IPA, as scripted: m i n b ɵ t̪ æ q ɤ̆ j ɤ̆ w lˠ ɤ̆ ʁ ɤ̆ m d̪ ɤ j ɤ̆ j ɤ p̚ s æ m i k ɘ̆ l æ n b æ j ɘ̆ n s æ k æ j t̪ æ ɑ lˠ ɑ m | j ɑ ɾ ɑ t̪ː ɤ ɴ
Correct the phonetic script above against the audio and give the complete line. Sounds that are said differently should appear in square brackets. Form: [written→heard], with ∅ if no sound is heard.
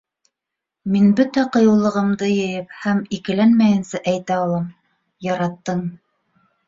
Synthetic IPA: m i n b ɵ t̪ æ q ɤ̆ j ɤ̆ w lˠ ɤ̆ ʁ ɤ̆ m d̪ ɤ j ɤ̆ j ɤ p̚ [s→h] æ m i k ɘ̆ l æ n [b→m] æ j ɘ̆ n s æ [k→ʔ] æ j t̪ æ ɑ lˠ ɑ m | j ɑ ɾ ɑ t̪ː ɤ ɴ